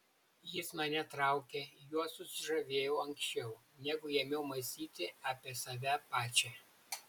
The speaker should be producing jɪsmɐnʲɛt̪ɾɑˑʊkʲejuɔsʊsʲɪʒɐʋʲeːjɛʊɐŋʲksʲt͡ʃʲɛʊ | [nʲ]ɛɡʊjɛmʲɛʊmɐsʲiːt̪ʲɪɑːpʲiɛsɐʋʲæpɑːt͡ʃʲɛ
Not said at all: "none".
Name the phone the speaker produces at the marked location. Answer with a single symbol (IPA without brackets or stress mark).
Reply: nʲ